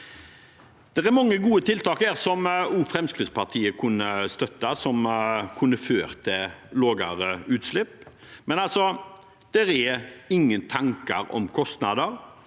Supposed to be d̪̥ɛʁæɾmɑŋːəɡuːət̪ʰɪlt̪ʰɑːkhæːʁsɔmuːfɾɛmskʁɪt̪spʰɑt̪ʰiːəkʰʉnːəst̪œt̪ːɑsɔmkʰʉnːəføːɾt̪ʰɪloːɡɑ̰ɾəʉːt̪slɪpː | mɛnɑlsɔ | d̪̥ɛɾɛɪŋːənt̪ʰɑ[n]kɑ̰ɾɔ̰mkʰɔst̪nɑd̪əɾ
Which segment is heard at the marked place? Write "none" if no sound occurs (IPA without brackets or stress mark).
ŋ